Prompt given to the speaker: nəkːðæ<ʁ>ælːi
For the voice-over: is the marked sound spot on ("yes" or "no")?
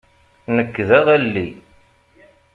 yes